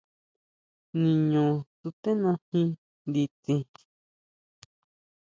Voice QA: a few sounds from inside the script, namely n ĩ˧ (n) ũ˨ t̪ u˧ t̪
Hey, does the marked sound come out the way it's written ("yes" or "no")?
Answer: no